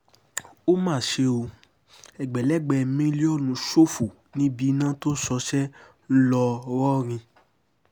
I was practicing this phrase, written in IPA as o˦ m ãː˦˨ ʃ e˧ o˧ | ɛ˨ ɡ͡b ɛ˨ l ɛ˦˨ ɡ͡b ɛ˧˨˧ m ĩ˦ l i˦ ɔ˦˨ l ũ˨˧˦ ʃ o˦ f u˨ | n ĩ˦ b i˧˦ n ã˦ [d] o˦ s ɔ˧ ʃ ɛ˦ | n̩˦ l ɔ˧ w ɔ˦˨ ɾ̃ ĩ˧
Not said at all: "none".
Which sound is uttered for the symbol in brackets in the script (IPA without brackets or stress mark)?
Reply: t